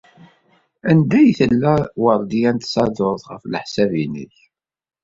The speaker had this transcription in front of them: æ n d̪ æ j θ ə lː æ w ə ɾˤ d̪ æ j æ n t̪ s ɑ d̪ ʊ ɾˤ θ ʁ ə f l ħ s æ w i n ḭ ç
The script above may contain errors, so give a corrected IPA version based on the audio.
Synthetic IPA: æ n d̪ æ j θ ə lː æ w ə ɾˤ d̪ i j æ n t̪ s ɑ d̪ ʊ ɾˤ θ ʁ ə f l ħ s æ v i n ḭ ç